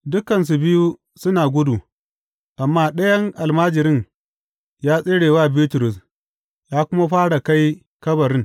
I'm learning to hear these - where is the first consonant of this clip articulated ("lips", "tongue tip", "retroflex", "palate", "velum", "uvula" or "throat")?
tongue tip